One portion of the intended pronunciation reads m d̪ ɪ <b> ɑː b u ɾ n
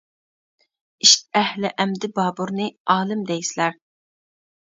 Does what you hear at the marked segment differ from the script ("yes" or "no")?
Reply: no